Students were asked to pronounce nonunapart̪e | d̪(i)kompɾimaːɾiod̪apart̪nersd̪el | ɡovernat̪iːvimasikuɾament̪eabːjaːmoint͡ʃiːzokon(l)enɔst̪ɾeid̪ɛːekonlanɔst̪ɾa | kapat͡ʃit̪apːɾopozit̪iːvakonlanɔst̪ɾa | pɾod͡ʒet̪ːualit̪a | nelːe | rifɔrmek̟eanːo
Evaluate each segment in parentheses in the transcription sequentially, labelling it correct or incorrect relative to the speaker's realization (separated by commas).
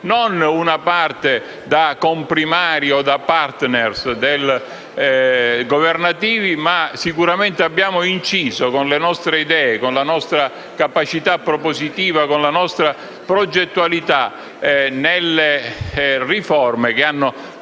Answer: incorrect, correct